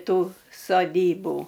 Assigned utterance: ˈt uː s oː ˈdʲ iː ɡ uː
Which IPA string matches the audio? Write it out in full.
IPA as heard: ˈt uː s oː ˈdʲ iː b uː